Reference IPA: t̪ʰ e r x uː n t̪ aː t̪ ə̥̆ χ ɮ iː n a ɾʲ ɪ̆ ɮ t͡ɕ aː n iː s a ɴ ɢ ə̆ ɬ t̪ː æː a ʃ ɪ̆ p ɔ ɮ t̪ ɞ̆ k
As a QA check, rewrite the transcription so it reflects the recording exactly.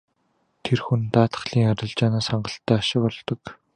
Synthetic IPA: t̪ʰ e r x u n t̪ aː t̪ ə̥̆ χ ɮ iː ŋ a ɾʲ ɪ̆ ɮ t͡ɕ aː n aː s a ɴ ɢ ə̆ ɬ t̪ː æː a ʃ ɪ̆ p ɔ ɮ t̪ ɞ̆ k